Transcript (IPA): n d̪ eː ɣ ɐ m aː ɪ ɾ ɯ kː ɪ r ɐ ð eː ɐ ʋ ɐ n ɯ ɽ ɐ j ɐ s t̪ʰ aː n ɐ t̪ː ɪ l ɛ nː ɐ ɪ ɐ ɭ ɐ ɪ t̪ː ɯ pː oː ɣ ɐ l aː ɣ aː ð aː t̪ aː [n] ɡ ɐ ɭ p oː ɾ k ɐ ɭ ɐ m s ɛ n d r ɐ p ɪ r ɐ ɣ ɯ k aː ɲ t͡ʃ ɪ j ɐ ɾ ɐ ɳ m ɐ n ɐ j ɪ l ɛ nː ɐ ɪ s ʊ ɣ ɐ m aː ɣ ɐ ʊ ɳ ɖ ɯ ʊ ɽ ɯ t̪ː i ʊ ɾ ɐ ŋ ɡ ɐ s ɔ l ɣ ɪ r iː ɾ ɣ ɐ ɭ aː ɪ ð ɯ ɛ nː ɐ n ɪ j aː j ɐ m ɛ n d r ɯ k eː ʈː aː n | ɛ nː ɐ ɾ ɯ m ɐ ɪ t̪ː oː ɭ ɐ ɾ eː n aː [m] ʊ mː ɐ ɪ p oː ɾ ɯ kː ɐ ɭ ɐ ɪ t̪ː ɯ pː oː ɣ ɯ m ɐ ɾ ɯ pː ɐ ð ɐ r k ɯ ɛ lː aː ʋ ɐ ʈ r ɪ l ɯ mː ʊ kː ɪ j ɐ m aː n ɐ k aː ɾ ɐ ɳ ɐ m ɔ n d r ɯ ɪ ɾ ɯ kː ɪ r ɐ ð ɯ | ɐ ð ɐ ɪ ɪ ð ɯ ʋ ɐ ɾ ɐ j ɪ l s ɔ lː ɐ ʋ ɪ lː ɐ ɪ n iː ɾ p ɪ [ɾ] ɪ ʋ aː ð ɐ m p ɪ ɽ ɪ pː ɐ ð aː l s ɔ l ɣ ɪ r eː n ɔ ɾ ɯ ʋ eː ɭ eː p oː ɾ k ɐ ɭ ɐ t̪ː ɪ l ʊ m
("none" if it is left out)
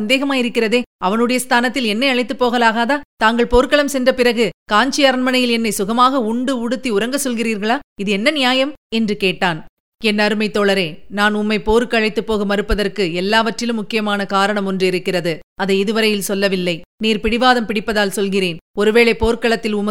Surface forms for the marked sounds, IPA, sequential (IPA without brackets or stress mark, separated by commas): ŋ, n, ɽ